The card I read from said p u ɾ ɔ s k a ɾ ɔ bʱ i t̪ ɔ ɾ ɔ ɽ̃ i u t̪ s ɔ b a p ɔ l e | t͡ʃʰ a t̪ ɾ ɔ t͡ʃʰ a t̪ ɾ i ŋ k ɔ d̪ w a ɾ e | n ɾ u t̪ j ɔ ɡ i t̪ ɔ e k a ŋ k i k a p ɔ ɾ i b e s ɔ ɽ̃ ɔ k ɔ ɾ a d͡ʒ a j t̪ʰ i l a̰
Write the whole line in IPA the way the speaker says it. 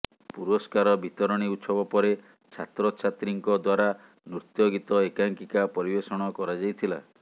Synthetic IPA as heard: p u ɾ ɔ s k a ɾ ɔ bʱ i t̪ ɔ ɾ ɔ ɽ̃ i u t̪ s ɔ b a p ɔ ɾ e | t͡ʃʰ a t̪ ɾ ɔ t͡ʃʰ a t̪ ɾ i ŋ k ɔ d̪ w a ɾ a | n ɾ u t̪ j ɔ ɡ i t̪ ɔ e k a ŋ k i k a p ɔ ɾ i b e s ɔ ɽ̃ ɔ k ɔ ɾ a d͡ʒ a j t̪ʰ i l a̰